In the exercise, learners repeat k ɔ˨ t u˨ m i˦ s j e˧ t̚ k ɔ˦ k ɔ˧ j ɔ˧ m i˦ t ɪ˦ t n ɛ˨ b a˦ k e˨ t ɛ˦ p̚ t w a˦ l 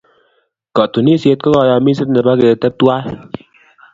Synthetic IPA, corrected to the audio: k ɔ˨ t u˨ n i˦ s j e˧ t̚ k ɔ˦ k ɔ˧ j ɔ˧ m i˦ s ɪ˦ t n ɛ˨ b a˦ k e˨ t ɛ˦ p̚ t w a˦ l